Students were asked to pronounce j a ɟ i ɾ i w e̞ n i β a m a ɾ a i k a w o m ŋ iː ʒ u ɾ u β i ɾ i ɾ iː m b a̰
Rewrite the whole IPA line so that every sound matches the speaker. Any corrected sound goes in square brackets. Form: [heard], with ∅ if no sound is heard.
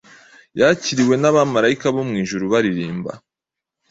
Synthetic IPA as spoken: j a [c] i ɾ i w e̞ n [a] β a m a ɾ a i k a [β] o m ŋ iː ʒ u ɾ u β [a] ɾ i ɾ iː m b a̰